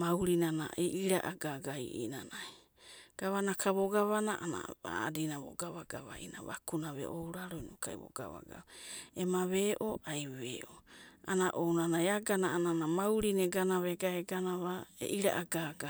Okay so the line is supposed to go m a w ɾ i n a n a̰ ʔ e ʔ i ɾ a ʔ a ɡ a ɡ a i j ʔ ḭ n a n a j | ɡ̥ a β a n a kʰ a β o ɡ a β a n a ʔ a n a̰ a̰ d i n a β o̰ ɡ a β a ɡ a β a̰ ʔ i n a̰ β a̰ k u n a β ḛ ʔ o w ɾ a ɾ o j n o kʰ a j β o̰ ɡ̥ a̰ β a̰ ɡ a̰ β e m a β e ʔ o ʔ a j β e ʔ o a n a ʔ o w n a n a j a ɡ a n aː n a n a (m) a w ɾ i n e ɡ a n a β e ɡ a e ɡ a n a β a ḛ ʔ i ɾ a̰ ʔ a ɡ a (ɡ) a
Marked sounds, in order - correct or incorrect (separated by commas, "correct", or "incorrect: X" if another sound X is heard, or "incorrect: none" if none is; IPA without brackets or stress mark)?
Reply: correct, correct